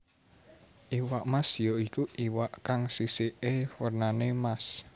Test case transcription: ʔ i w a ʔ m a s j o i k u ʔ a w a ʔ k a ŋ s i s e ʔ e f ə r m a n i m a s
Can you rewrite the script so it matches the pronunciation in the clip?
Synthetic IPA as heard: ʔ i w a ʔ m a s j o i k u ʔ i w a ʔ k a ŋ s i s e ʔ e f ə r n a n e m a s